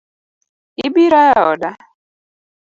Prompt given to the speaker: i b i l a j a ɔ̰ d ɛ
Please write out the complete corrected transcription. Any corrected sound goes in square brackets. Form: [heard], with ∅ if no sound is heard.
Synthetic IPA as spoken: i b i [ɾ] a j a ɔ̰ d [a]